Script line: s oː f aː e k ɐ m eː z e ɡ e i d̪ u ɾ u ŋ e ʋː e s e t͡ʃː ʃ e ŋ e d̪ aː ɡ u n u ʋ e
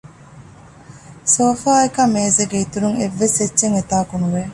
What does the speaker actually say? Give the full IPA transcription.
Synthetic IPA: s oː f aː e k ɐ m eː z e ɡ e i t̪ u ɾ u ŋ e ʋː e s e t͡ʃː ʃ e ŋ e t̪ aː k u n u ʋ e